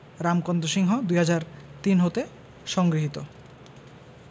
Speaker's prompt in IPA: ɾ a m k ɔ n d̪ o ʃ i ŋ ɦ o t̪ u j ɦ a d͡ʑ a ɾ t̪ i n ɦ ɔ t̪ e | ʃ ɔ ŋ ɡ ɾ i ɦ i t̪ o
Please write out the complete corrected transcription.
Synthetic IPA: ɾ a m k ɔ n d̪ o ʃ i ŋ ɦ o d̪ u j ɦ a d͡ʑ a ɾ t̪ i n ɦ o t̪ e | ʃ ɔ ŋ ɡ ɾ i ɦ i t̪ o